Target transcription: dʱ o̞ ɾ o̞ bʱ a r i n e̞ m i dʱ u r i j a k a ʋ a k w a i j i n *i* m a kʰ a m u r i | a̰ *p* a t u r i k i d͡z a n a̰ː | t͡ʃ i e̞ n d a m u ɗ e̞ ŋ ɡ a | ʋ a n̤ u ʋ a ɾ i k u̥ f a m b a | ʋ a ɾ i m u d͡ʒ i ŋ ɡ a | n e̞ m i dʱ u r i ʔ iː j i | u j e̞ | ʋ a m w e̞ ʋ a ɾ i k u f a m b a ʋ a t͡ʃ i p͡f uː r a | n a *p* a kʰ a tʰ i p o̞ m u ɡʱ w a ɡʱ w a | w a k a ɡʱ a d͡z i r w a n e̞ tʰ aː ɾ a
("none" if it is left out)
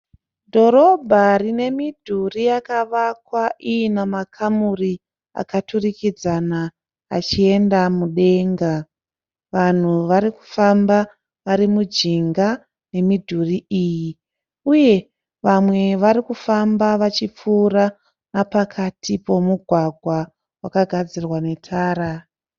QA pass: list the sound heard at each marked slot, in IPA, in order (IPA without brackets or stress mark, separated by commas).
a, k, p